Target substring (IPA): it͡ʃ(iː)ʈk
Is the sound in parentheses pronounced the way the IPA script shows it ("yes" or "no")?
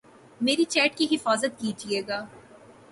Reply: no